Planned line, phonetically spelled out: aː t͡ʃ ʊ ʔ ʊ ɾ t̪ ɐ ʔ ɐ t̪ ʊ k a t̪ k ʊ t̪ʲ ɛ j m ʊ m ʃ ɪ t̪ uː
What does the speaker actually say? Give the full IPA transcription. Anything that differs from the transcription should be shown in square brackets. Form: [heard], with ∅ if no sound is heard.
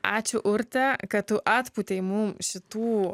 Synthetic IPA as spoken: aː t͡ʃ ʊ ʔ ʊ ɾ t̪ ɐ [k] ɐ t̪ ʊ [ʔ] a t̪ [p] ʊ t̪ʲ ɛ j m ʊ m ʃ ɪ t̪ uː